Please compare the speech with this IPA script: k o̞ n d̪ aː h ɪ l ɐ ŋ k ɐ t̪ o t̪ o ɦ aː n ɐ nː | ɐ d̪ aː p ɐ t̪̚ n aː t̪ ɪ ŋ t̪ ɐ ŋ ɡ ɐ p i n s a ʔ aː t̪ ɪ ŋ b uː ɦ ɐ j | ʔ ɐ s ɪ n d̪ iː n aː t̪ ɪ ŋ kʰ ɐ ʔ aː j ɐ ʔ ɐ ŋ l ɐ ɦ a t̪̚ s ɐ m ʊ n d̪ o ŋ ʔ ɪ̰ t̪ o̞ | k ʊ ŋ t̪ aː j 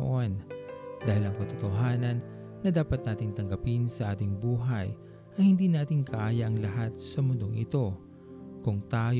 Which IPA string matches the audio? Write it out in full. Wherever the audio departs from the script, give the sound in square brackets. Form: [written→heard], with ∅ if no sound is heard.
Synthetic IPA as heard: [k→ʔ] o̞ n d̪ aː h ɪ l ɐ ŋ k ɐ t̪ o t̪ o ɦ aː n ɐ nː | ɐ d̪ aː p ɐ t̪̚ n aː t̪ ɪ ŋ t̪ ɐ ŋ ɡ ɐ p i n s [a→ɐ] ʔ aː t̪ ɪ ŋ b uː ɦ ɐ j | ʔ ɐ [s→h] ɪ n d̪ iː n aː t̪ ɪ ŋ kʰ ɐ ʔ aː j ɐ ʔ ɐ ŋ l ɐ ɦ a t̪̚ s ɐ m ʊ n d̪ o ŋ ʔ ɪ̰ t̪ o̞ | k ʊ ŋ t̪ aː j